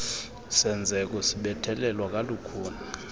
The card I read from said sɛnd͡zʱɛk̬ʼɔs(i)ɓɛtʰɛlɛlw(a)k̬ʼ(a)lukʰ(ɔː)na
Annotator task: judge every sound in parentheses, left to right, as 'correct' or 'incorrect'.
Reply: correct, correct, correct, incorrect: uː

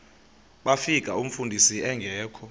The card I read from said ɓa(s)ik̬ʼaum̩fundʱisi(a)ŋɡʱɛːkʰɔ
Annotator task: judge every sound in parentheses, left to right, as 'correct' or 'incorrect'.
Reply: incorrect: f, incorrect: ɛ

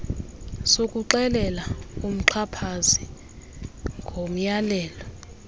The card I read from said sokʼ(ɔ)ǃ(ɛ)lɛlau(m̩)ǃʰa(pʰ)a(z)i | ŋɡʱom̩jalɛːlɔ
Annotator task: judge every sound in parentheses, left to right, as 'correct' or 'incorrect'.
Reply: incorrect: u, correct, correct, correct, correct

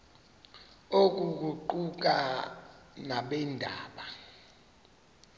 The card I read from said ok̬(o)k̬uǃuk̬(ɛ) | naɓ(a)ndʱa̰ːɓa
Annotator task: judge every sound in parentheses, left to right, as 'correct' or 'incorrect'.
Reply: incorrect: u, incorrect: a, incorrect: ɛ

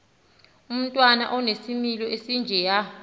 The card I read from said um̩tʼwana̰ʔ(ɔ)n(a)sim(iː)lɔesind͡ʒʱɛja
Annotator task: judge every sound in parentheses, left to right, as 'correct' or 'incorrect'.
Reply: correct, incorrect: e, incorrect: i

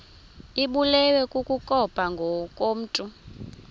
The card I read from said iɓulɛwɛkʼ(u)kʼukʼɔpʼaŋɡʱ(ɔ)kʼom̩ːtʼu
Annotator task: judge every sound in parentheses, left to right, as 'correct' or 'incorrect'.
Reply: correct, correct

